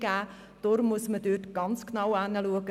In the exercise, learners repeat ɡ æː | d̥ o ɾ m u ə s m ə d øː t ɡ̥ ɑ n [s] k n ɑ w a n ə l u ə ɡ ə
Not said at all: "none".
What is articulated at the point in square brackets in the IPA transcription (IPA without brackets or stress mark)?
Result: t͡s